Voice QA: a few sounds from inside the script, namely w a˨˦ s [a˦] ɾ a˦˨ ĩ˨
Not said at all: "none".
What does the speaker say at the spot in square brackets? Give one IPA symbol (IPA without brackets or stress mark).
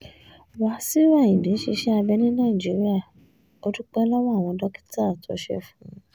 i˦